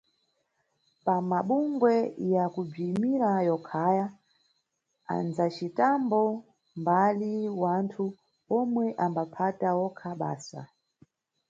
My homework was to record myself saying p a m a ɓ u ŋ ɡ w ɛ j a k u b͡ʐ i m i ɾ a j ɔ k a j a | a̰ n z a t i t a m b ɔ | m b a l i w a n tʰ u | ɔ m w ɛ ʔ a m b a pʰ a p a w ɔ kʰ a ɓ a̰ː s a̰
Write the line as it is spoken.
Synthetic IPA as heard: p a m a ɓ u ŋ ɡ w ɛ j a k u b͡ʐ i m i ɾ a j ɔ kʰ a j a | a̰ n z a t͡ʃ i t a m b ɔ | m b a l i w a n tʰ u | ɔ m w ɛ ʔ a m b a pʰ a t a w ɔ kʰ a ɓ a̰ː s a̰